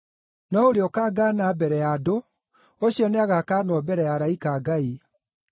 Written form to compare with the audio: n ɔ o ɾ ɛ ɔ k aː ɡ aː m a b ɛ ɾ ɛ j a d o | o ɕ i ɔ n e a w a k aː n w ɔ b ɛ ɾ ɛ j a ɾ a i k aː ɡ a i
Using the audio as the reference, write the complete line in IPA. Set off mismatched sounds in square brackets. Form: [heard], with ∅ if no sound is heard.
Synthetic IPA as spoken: n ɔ o ɾ [e] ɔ k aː ɡ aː [n] a b ɛ ɾ ɛ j a d o | o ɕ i ɔ n e a [ɣ] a k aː n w ɔ b ɛ ɾ ɛ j a ɾ a i k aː ɡ a i

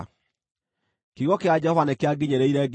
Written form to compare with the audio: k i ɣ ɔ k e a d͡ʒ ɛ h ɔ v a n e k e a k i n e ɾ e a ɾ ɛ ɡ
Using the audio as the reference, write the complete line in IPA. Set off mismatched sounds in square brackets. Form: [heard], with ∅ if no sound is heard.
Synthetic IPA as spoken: k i ɣ ɔ k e a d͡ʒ ɛ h ɔ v a n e k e a [ɡ] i [ɲ] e ɾ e [i] ɾ ɛ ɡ

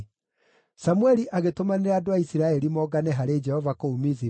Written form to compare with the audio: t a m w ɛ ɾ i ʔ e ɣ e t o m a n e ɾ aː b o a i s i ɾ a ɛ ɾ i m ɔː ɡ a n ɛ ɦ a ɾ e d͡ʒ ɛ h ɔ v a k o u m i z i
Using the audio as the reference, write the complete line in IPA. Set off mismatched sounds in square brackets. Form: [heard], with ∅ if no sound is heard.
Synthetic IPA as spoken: [s] a m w ɛ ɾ i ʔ [a] ɣ e t o m a n e ɾ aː [d] o a i s i ɾ a ɛ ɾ i m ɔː ɡ a n ɛ ɦ a ɾ e d͡ʒ ɛ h ɔ v a k o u m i z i

